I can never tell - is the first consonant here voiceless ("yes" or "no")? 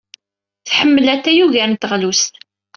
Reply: yes